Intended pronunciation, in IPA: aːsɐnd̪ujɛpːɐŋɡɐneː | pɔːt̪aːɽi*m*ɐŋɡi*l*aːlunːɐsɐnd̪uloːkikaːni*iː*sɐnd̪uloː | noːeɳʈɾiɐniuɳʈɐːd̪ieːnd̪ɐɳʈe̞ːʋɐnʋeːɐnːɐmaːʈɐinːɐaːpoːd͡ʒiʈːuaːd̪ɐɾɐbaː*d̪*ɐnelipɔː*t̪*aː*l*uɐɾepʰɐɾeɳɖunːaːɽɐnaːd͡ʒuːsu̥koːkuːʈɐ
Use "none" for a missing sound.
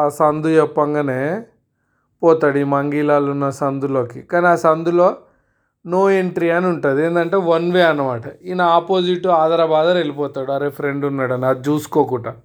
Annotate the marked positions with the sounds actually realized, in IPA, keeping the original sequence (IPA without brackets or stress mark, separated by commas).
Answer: m, l, aː, d̪, t̪, ɽ